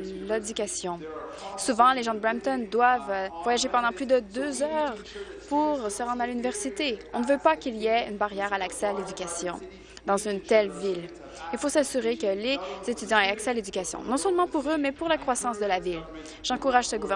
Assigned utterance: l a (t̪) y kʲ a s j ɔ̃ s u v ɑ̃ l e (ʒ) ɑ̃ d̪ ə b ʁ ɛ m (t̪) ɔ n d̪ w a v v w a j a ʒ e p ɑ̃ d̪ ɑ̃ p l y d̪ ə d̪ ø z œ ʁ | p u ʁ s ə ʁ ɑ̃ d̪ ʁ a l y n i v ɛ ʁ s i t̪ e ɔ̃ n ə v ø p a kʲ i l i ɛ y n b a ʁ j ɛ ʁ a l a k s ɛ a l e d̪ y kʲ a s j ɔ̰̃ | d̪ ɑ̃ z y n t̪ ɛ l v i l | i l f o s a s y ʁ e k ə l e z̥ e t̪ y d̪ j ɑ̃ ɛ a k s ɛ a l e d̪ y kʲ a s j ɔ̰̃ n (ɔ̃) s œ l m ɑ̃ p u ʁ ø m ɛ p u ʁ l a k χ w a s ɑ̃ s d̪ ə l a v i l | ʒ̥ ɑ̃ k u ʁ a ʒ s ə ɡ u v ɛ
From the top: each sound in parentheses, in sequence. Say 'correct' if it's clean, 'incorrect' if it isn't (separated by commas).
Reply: incorrect, correct, correct, correct